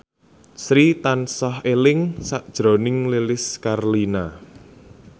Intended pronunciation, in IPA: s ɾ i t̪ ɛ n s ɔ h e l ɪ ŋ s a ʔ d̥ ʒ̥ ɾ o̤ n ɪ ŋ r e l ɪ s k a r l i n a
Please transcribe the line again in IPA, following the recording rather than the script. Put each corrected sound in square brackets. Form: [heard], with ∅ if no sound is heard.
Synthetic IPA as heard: s ɾ i t̪ [a] n s ɔ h e l ɪ ŋ s a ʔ d̥ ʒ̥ ɾ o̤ n ɪ ŋ [l] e l ɪ s k a r l i n a